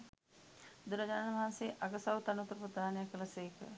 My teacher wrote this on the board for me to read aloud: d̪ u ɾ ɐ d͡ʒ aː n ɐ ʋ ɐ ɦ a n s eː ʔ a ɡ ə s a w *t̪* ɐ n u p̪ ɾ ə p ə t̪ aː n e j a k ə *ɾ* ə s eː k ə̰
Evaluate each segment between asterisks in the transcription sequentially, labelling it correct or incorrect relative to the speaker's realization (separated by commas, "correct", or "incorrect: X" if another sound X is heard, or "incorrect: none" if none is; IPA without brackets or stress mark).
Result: correct, incorrect: l